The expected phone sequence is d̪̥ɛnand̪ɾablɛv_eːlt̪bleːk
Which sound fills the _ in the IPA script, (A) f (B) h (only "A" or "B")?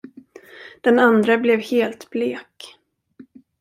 B